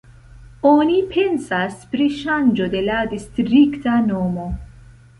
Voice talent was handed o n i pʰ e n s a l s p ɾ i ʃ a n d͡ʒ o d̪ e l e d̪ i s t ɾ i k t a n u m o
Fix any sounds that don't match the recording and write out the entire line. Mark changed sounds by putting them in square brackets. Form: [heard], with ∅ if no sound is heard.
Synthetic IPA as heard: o n i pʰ e n s a [∅] s p ɾ i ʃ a n d͡ʒ o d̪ e l [a] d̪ i s t ɾ i k t a n [o] m o